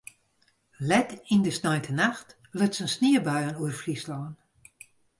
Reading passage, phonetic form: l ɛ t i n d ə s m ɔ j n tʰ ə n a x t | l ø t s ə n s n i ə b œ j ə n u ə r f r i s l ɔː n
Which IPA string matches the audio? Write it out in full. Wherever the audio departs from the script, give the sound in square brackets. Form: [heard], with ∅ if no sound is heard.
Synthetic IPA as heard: l ɛ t i n d ə s [n] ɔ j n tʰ ə n a x t | l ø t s ə n s n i ə b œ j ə n u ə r f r i s l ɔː n